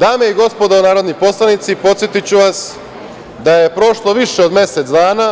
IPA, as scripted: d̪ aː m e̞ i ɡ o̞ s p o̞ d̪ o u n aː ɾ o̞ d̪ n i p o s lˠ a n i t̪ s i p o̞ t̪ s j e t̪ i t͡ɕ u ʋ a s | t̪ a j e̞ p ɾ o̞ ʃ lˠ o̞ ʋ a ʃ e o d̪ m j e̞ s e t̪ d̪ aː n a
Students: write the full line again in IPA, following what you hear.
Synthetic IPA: d̪ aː m e̞ i ɡ o̞ s p o̞ d̪ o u n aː ɾ o̞ d̪ n i p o s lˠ a n i t̪ s i p o̞ t̪ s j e t̪ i t͡ɕ u ʋ a s | d̪ a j e̞ p ɾ o̞ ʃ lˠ o̞ ʋ i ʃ e o d̪ m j e̞ s e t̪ d̪ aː n a